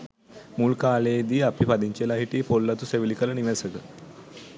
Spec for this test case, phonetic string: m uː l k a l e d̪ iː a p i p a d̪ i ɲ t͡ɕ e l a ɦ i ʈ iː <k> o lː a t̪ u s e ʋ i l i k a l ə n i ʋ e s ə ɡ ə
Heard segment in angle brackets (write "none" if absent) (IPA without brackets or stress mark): p